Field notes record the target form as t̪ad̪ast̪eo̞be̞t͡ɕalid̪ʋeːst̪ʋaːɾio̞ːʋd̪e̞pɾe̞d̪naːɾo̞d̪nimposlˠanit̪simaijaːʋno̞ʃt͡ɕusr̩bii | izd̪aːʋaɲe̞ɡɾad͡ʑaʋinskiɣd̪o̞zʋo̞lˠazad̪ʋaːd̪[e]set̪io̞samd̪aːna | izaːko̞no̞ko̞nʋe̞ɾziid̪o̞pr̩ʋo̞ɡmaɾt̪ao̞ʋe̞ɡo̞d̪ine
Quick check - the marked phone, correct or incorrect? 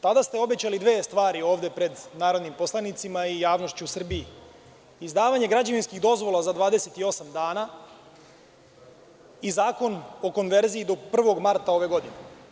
correct